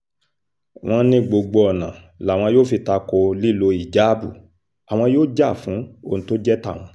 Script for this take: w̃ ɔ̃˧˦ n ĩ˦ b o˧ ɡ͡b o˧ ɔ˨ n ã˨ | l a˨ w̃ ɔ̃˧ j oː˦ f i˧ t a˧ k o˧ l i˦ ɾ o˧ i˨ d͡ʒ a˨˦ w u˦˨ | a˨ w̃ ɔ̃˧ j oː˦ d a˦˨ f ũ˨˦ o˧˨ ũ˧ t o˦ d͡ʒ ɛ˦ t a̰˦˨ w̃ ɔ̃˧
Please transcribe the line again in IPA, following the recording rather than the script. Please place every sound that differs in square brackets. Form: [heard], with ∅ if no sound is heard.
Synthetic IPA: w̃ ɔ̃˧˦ n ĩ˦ [ɡ͡b] o˧ ɡ͡b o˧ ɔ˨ n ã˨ | l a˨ w̃ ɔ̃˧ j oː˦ f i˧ t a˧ k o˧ l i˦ [l] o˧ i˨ d͡ʒ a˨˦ [b] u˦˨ | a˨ w̃ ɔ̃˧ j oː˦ [d͡ʒ] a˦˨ f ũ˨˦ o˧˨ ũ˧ t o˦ d͡ʒ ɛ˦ t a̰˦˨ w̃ ɔ̃˧